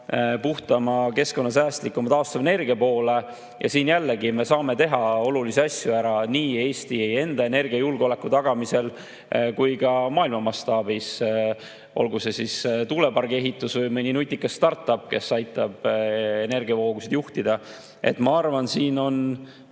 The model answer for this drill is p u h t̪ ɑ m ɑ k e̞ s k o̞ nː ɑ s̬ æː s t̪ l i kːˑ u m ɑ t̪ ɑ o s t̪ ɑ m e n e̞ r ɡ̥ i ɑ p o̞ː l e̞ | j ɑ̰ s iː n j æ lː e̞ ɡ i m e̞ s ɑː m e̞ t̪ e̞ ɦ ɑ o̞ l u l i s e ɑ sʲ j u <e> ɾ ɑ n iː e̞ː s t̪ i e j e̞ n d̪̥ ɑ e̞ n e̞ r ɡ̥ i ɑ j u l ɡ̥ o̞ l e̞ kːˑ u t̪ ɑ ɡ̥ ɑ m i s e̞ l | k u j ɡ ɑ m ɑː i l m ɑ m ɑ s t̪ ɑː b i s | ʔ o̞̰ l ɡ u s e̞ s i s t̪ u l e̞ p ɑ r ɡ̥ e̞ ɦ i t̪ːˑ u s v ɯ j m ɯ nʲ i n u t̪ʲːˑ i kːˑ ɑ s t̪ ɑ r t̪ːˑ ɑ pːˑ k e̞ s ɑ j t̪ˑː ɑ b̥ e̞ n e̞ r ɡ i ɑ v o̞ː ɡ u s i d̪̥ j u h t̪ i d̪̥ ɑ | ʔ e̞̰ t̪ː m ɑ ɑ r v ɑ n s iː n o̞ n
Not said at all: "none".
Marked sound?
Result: æ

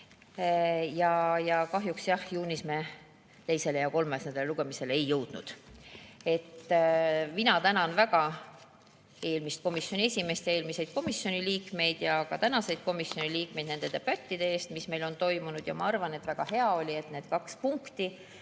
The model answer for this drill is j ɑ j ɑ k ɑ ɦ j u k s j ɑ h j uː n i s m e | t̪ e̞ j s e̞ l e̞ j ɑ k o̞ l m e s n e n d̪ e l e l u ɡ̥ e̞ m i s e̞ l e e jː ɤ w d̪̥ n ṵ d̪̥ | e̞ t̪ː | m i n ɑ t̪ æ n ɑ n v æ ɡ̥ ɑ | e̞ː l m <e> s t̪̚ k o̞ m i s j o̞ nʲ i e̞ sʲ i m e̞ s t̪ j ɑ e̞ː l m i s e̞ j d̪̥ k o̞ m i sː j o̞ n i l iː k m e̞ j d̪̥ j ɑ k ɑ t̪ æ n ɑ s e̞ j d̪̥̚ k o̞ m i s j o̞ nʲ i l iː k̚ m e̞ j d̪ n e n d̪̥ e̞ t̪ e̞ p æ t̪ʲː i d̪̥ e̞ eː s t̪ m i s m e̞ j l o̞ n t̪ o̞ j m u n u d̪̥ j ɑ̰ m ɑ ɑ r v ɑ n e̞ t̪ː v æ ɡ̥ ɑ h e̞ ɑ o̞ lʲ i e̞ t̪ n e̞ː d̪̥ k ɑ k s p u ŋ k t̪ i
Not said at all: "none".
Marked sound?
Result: i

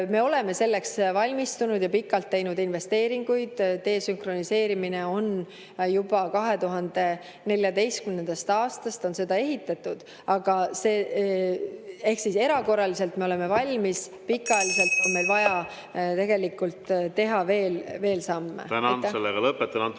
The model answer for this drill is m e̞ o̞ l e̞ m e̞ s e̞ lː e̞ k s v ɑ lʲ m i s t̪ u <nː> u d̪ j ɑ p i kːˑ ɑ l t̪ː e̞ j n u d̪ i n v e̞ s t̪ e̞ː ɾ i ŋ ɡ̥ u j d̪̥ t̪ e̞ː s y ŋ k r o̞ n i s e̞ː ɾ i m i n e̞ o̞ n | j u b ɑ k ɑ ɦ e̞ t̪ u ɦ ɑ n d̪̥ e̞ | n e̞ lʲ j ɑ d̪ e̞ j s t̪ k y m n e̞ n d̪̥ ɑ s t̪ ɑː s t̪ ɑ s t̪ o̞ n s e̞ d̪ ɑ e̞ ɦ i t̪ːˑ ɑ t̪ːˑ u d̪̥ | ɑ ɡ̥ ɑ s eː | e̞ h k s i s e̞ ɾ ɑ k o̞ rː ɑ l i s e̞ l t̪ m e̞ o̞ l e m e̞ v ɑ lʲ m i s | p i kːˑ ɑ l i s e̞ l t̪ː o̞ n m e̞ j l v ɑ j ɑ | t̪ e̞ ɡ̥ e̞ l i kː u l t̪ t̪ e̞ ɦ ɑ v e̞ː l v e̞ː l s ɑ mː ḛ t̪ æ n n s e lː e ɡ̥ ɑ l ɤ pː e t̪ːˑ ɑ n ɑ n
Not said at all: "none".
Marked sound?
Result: n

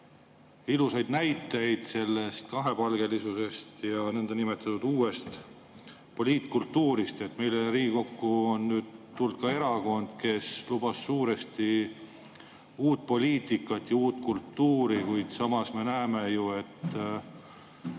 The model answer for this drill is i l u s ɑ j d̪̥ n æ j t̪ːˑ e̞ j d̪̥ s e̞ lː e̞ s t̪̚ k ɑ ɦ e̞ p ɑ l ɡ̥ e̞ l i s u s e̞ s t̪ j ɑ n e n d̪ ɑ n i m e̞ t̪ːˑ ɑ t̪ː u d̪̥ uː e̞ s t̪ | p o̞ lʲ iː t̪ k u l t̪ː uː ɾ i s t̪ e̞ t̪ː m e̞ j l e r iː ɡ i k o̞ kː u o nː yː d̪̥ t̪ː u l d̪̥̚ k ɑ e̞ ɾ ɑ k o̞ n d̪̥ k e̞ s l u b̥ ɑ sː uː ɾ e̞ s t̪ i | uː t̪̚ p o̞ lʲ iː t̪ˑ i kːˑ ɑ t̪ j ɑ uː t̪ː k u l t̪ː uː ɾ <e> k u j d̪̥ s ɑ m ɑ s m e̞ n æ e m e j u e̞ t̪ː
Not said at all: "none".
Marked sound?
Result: i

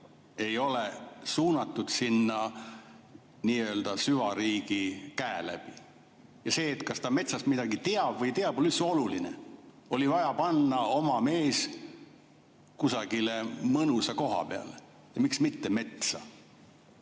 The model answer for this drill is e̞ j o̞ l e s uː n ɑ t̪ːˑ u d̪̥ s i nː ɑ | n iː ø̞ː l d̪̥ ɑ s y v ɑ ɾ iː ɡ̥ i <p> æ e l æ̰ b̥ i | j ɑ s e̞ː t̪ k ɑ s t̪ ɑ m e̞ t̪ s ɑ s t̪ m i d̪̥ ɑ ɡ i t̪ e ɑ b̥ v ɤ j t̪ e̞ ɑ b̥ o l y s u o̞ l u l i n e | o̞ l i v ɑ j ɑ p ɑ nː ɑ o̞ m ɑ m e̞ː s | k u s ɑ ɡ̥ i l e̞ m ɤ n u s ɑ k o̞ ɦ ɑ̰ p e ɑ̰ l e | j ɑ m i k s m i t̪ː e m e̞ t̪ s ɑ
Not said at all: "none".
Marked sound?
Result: k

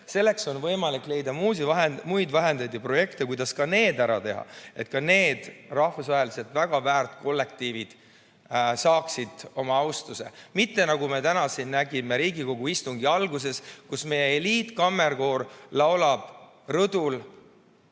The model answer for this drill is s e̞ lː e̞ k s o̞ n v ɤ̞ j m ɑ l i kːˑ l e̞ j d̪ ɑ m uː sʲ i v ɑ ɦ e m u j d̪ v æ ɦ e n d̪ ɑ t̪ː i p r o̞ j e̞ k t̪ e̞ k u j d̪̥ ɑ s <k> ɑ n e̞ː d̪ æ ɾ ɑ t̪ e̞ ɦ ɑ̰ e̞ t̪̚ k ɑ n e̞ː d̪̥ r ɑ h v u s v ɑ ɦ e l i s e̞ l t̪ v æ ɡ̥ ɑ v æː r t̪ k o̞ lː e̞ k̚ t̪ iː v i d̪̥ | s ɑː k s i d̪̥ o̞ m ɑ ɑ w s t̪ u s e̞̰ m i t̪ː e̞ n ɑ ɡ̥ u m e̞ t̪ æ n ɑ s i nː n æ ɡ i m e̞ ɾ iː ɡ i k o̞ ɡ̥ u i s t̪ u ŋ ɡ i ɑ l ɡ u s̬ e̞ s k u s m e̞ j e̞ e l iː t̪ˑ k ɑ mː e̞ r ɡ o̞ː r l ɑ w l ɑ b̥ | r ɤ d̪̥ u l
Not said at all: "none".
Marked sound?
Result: k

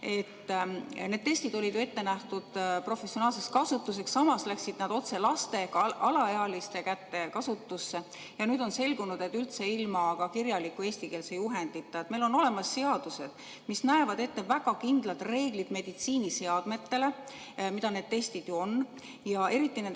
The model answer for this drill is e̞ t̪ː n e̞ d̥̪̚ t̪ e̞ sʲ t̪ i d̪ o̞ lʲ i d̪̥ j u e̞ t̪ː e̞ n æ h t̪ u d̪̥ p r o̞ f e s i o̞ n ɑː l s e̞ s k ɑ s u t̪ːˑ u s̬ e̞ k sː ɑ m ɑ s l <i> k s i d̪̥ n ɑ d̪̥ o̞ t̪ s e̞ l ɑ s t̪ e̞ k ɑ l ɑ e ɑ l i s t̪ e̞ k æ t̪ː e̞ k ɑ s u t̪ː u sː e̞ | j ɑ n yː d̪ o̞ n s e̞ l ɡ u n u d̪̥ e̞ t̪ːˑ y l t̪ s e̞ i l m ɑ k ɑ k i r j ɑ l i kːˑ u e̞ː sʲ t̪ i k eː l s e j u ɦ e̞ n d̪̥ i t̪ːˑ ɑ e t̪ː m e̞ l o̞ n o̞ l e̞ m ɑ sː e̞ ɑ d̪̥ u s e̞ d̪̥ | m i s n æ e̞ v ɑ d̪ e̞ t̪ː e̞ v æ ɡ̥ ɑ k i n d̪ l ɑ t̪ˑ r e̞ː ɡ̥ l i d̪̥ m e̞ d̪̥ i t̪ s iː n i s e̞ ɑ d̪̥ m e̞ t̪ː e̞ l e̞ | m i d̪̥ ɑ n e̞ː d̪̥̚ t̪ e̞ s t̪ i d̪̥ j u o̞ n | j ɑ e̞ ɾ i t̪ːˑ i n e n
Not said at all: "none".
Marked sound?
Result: æ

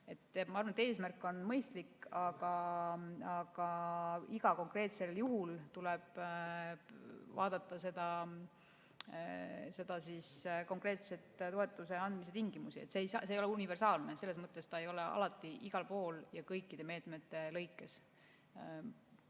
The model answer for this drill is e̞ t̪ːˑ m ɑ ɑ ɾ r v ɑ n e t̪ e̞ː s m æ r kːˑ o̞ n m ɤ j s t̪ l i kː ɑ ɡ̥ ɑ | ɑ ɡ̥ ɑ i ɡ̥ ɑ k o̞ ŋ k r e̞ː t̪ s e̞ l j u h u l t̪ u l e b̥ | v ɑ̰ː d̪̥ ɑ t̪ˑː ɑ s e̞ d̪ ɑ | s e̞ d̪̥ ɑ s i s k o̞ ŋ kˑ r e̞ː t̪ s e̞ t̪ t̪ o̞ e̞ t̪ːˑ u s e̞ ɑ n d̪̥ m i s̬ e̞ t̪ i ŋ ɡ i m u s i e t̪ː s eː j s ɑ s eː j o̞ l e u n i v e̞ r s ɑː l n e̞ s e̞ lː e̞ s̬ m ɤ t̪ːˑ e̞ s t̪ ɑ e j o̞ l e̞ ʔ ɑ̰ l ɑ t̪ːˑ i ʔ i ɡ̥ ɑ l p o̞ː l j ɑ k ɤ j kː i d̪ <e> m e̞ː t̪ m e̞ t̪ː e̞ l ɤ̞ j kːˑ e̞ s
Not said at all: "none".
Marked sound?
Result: e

